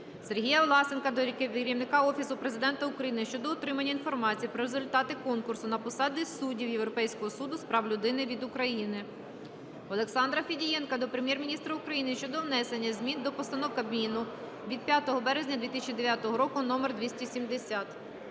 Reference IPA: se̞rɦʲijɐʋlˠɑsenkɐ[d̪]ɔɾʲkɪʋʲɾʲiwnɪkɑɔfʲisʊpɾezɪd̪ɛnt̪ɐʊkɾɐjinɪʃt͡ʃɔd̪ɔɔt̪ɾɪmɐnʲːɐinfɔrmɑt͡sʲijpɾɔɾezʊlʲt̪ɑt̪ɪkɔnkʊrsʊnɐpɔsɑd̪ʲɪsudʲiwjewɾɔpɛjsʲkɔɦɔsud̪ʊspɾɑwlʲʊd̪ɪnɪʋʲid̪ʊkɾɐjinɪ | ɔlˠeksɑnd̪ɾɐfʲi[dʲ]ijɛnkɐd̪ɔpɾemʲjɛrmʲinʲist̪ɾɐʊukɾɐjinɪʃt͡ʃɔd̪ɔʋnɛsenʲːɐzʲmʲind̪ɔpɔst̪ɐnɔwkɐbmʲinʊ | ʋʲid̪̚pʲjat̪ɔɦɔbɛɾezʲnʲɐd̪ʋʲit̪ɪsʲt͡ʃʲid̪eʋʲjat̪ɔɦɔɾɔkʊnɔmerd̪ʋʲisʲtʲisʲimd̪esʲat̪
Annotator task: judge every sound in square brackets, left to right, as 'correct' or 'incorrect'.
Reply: correct, correct

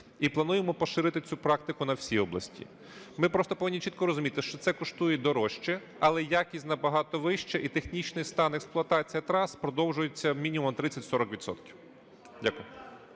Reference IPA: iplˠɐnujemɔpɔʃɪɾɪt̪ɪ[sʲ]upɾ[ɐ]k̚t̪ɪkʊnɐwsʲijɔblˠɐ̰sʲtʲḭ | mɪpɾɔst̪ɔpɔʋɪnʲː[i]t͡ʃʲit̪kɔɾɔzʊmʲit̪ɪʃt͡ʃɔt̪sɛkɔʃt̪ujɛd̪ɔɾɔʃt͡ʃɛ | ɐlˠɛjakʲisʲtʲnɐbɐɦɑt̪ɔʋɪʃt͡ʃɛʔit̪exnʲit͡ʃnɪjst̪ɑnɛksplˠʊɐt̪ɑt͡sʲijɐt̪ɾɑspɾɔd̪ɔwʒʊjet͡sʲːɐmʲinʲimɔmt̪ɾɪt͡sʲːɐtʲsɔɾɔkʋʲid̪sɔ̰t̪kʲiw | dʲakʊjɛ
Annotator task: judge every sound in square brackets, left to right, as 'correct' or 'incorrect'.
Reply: incorrect: t͡sʲ, incorrect: ɑ, correct

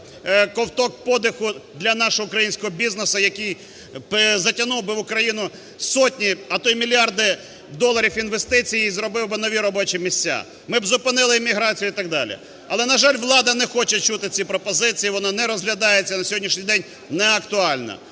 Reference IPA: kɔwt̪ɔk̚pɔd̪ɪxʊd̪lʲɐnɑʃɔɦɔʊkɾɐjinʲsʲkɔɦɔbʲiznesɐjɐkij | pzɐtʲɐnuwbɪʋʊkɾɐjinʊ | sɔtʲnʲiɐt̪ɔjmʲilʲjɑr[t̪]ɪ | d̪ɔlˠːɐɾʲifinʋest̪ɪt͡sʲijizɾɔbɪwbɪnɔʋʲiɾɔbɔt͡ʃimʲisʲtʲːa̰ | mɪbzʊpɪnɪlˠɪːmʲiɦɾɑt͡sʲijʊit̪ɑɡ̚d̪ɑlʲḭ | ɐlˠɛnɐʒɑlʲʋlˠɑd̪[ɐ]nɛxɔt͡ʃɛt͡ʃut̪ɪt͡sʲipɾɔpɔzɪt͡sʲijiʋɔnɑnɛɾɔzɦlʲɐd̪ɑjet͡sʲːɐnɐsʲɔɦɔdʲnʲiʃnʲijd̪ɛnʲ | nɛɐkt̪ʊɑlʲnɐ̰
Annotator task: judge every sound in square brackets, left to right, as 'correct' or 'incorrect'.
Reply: incorrect: d̪, correct

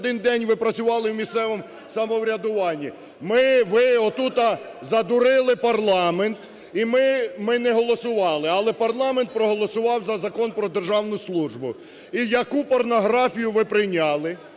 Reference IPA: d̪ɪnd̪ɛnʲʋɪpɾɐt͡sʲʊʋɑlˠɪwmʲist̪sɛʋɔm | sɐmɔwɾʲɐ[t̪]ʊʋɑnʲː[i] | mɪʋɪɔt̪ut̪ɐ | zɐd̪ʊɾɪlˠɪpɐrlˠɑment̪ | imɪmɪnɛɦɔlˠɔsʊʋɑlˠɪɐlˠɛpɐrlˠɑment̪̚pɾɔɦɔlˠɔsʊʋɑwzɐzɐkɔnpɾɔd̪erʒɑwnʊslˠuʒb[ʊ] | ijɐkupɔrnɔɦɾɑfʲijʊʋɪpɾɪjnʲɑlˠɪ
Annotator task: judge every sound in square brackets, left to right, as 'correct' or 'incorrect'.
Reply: incorrect: d̪, correct, correct

